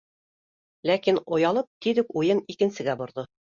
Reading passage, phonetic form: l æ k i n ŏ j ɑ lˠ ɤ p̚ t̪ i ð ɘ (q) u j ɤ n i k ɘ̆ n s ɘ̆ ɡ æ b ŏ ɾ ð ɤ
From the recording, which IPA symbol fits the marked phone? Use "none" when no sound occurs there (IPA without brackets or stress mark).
k